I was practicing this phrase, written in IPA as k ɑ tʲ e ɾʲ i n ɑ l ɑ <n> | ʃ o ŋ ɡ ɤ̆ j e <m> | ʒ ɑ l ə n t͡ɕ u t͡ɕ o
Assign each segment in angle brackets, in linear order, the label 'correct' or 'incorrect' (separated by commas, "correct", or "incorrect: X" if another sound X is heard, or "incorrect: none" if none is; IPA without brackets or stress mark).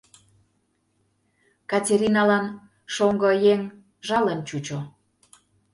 correct, incorrect: ŋ